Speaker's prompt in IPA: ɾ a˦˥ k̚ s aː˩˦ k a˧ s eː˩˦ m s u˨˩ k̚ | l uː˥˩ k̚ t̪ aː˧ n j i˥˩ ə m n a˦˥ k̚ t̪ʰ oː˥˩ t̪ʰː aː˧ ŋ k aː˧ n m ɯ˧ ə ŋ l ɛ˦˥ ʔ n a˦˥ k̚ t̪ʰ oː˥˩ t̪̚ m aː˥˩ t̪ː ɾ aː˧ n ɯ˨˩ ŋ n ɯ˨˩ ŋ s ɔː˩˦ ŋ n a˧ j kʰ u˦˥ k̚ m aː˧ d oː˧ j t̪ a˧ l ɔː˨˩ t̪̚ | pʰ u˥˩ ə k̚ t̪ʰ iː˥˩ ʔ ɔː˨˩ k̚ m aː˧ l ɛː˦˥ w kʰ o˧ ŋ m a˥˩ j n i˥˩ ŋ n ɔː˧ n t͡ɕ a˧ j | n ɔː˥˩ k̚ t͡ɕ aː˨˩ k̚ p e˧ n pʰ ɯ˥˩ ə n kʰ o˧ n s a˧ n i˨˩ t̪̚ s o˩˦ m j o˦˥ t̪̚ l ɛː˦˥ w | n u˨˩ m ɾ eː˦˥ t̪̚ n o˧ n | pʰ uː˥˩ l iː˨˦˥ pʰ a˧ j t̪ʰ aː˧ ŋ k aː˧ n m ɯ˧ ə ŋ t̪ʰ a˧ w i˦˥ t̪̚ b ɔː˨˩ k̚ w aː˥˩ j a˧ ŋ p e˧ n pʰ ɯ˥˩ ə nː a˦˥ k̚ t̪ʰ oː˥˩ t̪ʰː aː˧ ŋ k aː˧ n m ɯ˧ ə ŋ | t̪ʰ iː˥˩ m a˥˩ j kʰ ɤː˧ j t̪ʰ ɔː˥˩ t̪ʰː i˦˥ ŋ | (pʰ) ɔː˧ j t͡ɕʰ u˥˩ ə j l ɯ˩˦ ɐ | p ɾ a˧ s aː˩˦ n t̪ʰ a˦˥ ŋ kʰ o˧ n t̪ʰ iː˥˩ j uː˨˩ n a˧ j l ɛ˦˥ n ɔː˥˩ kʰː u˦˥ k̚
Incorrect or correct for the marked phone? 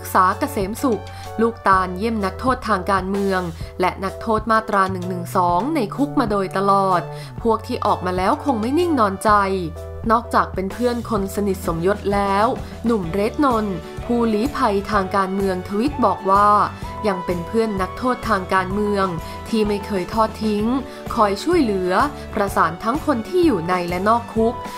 incorrect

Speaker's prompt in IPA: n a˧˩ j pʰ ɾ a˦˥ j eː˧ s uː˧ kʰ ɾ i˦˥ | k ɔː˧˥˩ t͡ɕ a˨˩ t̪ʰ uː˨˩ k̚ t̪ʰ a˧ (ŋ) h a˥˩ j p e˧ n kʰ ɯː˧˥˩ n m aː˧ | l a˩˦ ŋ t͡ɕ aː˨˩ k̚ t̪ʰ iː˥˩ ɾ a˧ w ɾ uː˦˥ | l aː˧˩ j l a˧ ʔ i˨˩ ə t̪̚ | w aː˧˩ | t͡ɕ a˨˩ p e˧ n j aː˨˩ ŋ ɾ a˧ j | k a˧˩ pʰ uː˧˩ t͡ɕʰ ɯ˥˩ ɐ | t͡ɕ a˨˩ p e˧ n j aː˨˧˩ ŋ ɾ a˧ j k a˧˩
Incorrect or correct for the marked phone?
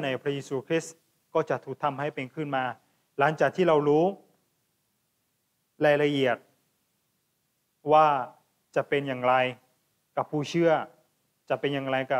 incorrect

